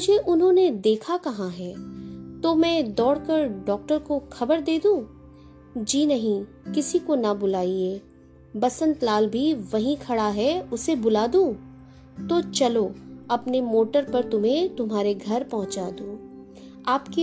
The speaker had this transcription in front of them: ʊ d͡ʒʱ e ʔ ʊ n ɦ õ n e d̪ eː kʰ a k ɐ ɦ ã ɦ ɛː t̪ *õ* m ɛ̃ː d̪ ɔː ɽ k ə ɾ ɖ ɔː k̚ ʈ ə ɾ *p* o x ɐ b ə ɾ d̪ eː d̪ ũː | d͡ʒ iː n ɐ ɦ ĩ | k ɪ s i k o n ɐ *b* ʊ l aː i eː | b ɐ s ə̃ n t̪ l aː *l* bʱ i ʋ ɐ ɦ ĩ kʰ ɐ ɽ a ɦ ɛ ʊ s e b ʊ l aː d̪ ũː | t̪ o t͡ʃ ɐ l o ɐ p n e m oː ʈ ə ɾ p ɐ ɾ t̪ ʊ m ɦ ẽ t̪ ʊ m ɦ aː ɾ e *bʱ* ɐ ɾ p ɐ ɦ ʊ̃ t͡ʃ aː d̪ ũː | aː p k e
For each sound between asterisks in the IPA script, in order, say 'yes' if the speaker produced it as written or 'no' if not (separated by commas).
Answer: no, no, yes, yes, no